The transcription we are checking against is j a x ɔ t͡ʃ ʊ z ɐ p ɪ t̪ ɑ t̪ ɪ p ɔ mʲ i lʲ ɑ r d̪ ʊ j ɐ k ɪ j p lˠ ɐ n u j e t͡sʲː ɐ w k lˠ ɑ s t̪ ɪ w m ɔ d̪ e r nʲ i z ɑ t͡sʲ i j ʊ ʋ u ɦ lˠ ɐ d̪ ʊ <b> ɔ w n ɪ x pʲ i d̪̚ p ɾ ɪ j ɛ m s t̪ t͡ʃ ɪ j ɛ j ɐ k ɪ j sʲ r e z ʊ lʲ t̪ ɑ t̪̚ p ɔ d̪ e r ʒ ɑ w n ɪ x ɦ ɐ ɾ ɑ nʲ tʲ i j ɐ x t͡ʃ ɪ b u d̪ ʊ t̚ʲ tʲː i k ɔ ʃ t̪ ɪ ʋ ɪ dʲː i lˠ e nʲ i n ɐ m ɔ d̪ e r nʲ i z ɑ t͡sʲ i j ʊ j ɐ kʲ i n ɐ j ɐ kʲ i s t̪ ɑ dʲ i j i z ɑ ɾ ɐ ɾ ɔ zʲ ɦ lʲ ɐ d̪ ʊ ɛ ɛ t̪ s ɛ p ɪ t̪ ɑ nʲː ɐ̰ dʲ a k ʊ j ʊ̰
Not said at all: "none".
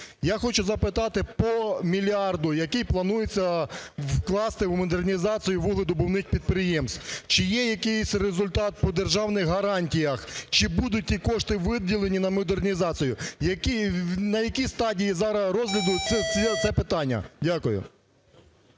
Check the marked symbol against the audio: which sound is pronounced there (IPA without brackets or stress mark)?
b